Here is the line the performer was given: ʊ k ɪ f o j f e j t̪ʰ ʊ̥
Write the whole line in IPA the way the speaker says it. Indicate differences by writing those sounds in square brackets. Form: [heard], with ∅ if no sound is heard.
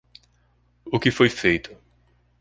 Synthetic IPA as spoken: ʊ k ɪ f o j f e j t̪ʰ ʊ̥